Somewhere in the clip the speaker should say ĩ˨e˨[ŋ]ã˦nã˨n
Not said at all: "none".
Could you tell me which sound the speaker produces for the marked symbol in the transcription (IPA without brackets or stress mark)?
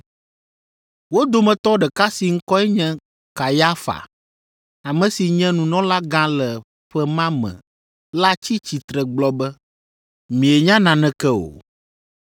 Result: ɲ